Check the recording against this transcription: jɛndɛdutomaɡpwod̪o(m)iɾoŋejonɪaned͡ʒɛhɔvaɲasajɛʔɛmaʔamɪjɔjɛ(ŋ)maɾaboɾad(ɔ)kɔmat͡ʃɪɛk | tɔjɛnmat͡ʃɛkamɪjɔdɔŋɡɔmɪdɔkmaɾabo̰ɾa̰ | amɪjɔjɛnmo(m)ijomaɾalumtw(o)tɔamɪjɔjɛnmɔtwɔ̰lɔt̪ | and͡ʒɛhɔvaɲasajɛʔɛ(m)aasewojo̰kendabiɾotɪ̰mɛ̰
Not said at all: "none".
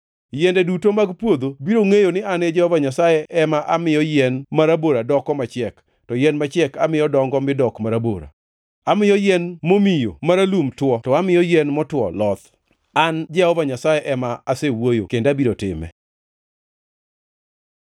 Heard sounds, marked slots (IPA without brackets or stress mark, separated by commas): b, n, ɔ, m, ɔ, m